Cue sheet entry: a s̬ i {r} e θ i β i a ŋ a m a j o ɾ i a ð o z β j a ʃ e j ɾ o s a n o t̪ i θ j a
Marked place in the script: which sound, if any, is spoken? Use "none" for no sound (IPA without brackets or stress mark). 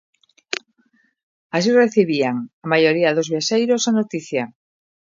r